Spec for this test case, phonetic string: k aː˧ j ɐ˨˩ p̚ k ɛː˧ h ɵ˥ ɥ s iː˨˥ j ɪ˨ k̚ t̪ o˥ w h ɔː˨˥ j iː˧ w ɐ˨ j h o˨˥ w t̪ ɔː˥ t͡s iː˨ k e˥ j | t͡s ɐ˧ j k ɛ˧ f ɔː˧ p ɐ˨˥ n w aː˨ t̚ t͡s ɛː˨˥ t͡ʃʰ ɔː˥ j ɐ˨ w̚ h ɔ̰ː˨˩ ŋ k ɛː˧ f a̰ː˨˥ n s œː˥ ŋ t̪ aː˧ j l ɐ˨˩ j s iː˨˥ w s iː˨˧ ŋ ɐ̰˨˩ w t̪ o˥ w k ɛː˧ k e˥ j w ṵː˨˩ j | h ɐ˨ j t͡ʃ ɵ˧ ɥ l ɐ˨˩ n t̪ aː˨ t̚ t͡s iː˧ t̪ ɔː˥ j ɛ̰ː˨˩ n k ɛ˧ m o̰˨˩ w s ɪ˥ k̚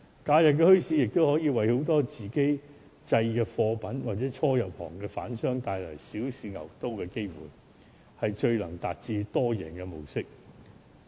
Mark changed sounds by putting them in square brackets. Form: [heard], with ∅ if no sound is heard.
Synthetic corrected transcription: k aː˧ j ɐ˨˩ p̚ k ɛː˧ h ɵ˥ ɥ s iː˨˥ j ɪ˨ k̚ t̪ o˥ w h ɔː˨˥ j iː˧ w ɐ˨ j h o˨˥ w t̪ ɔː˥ t͡s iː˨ k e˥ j | t͡s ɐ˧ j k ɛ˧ f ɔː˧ p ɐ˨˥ n w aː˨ t̚ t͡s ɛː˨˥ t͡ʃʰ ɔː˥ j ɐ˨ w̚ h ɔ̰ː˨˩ ŋ k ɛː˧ f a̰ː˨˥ n s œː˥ ŋ t̪ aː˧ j l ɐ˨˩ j s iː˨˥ w s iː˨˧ ŋ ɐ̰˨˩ w t̪ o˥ w k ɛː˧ k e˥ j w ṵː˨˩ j | h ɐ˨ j t͡ʃ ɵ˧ ɥ l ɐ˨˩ [ŋ] t̪ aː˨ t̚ t͡s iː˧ t̪ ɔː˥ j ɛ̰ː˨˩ n k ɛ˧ m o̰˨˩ w s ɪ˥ k̚